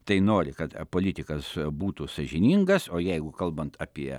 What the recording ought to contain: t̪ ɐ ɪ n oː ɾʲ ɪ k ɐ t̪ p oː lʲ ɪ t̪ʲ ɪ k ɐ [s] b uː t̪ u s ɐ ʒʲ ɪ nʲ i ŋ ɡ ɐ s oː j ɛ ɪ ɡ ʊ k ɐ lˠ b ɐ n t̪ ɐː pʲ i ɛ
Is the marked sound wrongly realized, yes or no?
no